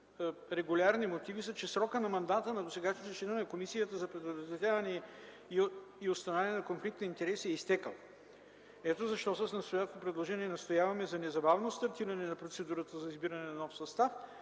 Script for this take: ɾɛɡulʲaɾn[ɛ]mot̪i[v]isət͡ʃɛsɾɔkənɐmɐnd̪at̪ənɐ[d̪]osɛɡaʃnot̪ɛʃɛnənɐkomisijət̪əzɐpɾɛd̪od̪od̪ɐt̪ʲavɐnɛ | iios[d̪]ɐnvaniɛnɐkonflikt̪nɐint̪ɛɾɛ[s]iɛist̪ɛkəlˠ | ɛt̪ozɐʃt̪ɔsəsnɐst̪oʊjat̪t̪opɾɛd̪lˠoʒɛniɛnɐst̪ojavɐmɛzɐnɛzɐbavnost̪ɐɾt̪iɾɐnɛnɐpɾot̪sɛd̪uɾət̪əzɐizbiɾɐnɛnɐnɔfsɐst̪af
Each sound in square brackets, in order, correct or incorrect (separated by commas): incorrect, correct, correct, incorrect, correct